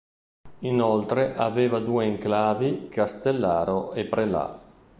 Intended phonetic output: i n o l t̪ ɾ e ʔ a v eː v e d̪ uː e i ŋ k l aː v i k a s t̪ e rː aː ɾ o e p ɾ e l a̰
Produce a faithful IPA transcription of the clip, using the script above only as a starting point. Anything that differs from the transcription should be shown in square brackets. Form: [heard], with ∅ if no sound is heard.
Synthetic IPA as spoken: i n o l t̪ ɾ e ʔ a v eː v [a] d̪ uː e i ŋ k l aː v i k a s t̪ e [lː] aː ɾ o e p ɾ e l a̰